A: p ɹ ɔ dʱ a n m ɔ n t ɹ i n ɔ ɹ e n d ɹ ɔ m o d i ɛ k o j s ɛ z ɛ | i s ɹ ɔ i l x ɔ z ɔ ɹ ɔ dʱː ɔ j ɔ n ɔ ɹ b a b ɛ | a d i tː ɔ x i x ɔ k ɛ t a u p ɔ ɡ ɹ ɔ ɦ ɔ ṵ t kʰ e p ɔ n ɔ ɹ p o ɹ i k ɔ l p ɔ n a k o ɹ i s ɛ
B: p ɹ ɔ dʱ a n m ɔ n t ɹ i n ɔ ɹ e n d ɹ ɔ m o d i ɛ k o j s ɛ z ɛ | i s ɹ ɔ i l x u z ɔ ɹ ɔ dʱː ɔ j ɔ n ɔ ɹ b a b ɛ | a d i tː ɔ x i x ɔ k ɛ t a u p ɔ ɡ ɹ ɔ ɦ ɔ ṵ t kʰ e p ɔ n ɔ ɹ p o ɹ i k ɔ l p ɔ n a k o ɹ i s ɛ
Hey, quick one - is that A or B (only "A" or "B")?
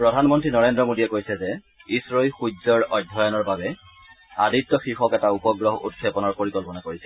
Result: B